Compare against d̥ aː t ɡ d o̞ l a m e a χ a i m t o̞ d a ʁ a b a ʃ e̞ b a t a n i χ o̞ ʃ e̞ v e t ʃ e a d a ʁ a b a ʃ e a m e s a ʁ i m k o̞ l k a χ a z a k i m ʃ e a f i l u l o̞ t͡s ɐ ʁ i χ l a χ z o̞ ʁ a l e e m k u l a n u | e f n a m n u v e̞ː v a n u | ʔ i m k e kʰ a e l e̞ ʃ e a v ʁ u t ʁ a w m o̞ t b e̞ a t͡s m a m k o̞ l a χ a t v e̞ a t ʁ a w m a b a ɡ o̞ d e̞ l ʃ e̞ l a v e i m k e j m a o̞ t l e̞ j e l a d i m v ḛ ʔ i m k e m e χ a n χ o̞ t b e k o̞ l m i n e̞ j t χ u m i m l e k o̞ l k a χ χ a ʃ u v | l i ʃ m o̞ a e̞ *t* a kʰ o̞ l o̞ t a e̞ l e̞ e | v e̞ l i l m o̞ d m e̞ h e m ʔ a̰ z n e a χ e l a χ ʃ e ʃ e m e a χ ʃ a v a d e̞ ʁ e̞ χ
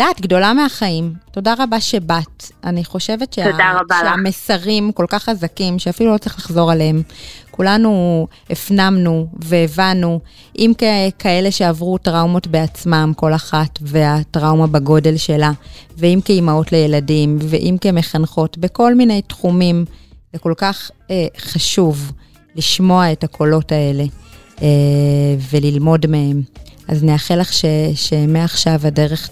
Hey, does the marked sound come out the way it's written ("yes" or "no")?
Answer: yes